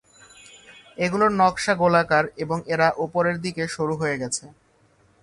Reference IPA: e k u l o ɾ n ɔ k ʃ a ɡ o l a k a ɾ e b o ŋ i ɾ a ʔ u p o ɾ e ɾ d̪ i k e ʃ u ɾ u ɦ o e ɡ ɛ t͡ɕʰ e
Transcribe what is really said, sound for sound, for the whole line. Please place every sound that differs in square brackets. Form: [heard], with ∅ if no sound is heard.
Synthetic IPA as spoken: e [ɡ] u l o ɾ n ɔ k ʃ a ɡ o l a k a ɾ e b o ŋ [e] ɾ a ʔ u p o ɾ e ɾ d̪ i k e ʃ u ɾ u ɦ o e ɡ ɛ t͡ɕʰ e